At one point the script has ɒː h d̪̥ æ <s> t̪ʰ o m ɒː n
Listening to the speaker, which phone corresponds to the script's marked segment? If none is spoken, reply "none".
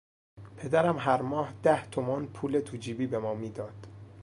h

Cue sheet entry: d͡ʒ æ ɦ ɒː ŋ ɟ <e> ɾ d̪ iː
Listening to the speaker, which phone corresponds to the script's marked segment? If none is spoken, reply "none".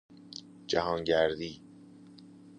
æ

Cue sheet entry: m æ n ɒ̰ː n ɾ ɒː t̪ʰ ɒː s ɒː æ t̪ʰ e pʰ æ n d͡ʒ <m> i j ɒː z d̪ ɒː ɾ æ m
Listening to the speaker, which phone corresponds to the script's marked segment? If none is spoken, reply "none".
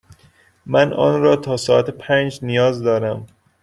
n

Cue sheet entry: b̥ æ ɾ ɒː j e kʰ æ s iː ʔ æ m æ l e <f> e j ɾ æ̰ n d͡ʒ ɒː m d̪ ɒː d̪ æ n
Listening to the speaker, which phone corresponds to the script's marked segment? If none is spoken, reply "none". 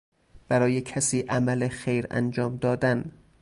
x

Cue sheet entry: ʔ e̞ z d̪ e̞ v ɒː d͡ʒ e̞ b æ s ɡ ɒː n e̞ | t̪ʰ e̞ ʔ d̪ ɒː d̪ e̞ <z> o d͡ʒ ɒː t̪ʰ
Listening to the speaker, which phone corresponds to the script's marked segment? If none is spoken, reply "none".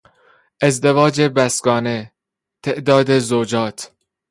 z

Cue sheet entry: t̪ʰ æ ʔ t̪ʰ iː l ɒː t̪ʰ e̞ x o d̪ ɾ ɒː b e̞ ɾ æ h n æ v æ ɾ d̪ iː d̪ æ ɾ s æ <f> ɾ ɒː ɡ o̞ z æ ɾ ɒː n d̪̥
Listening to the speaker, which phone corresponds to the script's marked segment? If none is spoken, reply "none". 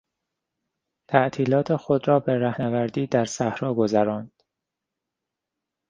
h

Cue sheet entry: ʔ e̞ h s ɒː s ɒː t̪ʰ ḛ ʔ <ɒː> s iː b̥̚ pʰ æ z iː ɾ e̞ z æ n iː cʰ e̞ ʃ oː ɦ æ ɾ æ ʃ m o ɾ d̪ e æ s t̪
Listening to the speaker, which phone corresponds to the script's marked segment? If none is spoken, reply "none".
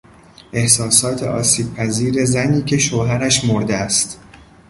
ɒː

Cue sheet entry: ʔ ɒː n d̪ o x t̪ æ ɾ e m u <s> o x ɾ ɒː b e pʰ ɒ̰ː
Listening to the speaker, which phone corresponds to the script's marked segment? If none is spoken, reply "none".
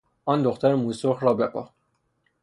s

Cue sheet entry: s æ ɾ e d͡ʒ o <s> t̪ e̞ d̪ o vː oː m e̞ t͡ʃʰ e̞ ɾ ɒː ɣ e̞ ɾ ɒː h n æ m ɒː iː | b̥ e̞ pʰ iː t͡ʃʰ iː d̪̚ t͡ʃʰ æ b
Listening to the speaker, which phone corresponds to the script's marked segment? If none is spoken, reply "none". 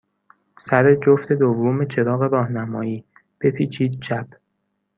f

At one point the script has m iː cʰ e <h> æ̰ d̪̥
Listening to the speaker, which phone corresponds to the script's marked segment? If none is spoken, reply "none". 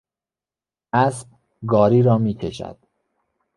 ʃ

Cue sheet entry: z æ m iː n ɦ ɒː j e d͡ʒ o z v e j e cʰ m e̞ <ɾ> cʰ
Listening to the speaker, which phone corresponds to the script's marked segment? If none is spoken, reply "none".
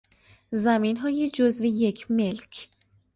l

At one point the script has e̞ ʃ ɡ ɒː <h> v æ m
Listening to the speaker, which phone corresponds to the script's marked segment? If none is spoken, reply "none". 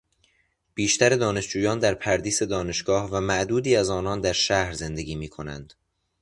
h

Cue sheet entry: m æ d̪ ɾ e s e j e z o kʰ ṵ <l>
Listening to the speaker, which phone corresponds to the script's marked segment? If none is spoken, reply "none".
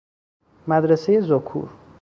ɾ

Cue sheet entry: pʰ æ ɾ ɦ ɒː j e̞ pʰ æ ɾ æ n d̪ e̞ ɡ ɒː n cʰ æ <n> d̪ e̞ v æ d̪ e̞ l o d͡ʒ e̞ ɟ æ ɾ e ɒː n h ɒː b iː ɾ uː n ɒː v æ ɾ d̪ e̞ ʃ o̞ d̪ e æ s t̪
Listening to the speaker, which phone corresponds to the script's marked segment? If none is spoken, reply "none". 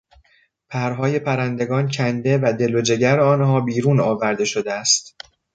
n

